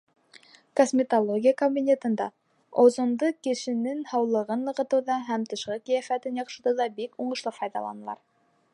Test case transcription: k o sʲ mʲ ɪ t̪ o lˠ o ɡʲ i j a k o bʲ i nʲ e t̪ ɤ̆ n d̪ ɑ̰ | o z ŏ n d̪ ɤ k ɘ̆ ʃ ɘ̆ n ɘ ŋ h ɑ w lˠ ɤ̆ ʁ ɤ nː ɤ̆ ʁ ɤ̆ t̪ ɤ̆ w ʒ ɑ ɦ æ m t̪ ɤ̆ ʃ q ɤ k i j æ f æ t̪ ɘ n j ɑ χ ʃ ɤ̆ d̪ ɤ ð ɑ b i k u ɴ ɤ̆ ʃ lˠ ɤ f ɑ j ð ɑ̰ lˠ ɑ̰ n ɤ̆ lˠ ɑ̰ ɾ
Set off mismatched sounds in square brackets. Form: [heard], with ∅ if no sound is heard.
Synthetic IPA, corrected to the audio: k o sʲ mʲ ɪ t̪ o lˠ o ɡʲ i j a k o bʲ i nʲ e t̪ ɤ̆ n d̪ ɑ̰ | o z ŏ n d̪ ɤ k ɘ̆ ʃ ɘ̆ n ɘ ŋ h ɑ w lˠ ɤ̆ ʁ ɤ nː ɤ̆ ʁ ɤ̆ t̪ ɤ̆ w [ð] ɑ ɦ æ m t̪ ɤ̆ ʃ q ɤ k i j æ f æ t̪ ɘ n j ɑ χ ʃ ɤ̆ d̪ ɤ ð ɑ b i k u ɴ ɤ̆ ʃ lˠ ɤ f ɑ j ð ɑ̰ lˠ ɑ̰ n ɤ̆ lˠ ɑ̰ ɾ